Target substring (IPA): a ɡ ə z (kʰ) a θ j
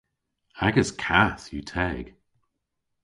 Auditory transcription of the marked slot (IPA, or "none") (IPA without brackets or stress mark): kʰ